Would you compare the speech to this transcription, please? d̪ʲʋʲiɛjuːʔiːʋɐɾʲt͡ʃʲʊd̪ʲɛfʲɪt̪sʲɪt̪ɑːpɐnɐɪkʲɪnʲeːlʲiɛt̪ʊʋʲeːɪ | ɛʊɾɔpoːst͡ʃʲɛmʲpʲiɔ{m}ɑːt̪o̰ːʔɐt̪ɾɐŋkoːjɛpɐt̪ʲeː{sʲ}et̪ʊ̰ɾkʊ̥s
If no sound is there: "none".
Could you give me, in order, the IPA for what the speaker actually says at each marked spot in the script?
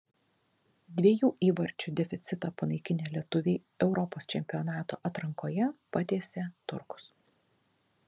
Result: n, sʲ

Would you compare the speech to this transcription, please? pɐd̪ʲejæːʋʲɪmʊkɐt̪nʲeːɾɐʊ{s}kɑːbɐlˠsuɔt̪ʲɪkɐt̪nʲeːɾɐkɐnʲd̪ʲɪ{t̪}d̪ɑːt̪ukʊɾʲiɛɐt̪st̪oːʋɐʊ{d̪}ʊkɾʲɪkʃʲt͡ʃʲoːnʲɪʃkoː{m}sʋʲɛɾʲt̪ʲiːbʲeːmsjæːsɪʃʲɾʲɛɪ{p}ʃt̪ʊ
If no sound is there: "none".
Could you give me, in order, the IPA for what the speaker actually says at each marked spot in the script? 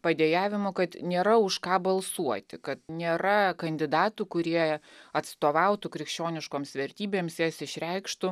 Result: ʃ, none, t̪, m, k

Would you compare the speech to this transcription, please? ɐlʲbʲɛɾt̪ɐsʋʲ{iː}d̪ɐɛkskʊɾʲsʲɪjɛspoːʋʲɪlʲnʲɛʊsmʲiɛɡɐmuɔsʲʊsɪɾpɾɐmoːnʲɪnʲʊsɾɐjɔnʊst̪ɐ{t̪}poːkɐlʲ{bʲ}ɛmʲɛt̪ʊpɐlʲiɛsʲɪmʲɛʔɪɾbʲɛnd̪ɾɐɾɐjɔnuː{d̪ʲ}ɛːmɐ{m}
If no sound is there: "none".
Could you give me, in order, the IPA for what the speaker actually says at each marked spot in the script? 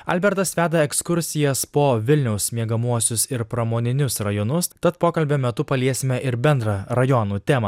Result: æː, t̪, bʲ, t̪ʲ, none

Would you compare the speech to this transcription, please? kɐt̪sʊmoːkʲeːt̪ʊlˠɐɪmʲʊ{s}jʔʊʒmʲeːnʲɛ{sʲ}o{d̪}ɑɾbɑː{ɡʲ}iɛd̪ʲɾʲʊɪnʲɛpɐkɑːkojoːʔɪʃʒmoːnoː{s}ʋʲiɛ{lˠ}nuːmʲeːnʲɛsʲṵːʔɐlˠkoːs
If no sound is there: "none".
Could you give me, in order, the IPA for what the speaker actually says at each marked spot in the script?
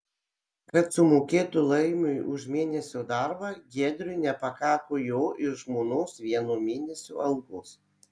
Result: none, sʲ, d̪, ɡʲ, s, none

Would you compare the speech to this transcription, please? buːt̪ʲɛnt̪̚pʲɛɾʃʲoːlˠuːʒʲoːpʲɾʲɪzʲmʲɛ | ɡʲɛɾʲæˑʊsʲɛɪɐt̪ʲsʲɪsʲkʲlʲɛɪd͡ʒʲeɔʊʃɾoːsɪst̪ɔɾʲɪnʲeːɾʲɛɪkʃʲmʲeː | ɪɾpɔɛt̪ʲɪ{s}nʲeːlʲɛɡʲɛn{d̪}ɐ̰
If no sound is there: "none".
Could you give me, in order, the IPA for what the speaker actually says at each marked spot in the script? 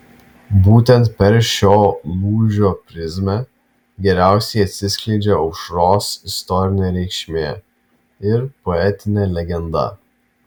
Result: none, d̪

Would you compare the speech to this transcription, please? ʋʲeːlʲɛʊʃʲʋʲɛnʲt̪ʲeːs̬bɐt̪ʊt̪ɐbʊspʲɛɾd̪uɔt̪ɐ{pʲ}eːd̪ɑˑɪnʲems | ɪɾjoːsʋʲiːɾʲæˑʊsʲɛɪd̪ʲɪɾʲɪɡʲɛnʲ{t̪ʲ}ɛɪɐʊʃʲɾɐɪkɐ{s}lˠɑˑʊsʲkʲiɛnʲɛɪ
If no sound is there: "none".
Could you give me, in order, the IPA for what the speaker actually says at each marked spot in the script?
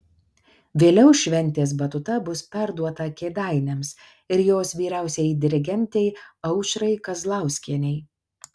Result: kʲ, t̪ʲ, z

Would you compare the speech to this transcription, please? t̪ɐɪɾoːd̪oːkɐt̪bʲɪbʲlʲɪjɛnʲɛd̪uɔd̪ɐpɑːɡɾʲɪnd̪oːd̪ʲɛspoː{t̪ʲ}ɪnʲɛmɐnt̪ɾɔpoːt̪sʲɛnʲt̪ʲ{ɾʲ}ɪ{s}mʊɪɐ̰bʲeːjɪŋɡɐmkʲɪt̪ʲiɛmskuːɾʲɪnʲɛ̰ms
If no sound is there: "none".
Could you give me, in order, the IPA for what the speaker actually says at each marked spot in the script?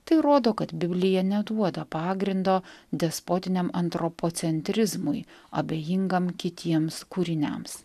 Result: t̪ʲ, ɾʲ, z

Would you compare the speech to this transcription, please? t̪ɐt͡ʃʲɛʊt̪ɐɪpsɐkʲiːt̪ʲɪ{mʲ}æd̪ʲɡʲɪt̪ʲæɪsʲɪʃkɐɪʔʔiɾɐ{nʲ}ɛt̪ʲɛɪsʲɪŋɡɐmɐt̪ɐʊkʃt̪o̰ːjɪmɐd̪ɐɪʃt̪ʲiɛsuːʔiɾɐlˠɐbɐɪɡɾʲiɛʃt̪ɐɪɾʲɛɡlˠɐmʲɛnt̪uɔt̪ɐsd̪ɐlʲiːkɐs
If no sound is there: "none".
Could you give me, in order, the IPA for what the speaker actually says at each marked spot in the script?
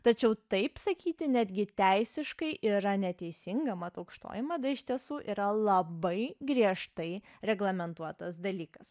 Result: nʲ, nʲ

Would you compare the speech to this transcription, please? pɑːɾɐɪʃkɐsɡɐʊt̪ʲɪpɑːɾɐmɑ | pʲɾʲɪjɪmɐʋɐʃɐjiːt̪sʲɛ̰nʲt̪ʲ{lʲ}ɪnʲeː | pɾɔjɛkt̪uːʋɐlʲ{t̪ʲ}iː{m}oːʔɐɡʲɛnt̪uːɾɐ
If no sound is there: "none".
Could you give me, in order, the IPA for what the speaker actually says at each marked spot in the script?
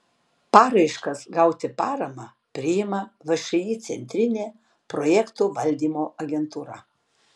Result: ɾʲ, d̪ʲ, m

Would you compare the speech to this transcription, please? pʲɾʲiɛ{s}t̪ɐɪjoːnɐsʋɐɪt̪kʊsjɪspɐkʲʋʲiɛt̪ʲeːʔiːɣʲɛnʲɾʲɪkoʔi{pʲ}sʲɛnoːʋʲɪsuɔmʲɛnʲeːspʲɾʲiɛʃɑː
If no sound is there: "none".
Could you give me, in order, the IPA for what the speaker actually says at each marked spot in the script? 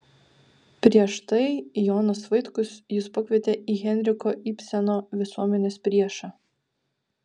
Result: ʃ, pʲ

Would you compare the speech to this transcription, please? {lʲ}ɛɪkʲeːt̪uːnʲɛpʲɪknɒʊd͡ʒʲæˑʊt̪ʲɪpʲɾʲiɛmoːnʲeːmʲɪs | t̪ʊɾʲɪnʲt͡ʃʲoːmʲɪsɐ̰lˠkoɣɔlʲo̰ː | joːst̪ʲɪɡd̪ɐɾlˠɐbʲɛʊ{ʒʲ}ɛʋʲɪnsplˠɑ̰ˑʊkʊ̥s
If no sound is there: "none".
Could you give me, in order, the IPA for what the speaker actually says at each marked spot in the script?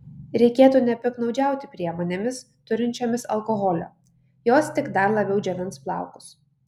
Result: ɾʲ, d͡ʒʲ

